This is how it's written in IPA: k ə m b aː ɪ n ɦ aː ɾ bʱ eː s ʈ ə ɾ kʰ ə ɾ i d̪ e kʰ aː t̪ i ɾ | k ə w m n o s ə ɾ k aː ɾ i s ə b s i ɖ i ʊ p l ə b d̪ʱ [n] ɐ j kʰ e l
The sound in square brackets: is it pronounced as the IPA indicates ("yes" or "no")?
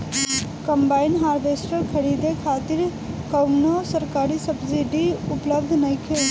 yes